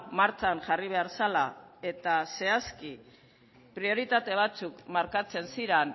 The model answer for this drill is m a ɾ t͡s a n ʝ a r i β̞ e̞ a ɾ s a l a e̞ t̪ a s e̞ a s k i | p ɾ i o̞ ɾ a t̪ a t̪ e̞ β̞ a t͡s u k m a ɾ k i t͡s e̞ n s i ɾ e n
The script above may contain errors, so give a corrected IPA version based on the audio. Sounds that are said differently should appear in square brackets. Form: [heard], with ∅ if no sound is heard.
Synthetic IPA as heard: m a ɾ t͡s a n ʝ a r i β̞ e̞ a ɾ s a l a e̞ t̪ a s e̞ a s k i | p ɾ i o̞ ɾ [i] t̪ a t̪ e̞ β̞ a t͡s u k m a ɾ k [a] t͡s e̞ n s i ɾ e n